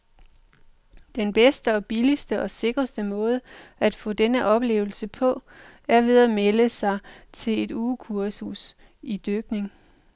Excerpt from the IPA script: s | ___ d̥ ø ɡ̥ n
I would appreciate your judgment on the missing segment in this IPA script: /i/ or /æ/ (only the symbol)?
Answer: i